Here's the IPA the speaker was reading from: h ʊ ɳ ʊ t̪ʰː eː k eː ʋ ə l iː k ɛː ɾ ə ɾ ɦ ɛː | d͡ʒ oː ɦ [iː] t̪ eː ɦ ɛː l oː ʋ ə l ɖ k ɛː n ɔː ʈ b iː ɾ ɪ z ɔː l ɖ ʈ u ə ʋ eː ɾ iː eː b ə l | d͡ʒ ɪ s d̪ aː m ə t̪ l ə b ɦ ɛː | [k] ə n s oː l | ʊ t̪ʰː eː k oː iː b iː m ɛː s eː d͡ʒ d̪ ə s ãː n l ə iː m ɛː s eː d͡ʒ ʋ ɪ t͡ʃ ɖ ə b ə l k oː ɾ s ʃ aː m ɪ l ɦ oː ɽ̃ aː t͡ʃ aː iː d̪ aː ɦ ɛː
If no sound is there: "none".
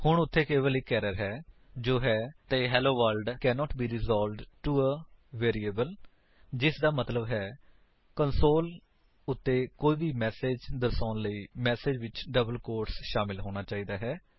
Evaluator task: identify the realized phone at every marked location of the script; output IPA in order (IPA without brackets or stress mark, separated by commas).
ɛː, k